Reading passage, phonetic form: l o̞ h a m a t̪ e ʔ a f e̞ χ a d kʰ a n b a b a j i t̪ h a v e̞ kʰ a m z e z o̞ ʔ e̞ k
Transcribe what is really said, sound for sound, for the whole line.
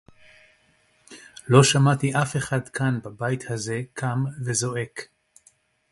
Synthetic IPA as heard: l o̞ ʃ a m a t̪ i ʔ a f e̞ χ a d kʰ a n b a b a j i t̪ h a z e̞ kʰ a m v e z o̞ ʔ e̞ k